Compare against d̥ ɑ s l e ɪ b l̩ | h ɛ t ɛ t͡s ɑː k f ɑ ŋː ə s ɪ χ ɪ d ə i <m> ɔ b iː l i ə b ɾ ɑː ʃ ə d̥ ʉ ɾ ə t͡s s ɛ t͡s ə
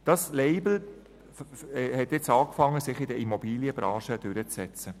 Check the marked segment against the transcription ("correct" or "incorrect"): correct